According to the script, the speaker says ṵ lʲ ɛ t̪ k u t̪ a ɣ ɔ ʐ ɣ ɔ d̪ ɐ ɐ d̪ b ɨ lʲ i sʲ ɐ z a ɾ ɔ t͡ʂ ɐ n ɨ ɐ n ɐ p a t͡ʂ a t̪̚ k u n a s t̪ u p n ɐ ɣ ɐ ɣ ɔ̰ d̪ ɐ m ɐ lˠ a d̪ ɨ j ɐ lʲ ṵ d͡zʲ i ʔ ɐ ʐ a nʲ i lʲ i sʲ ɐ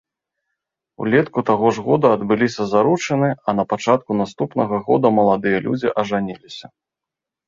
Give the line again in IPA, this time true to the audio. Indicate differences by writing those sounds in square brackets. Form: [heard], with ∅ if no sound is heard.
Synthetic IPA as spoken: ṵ lʲ ɛ t̪ k u t̪ a ɣ ɔ ʐ ɣ ɔ d̪ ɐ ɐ d̪ b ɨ lʲ i sʲ ɐ z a ɾ [u] t͡ʂ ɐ n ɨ ɐ n ɐ p a t͡ʂ a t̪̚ k u n a s t̪ u p n ɐ ɣ ɐ ɣ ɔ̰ d̪ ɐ m ɐ lˠ a d̪ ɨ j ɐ lʲ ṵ d͡zʲ i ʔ ɐ ʐ a nʲ i lʲ i sʲ ɐ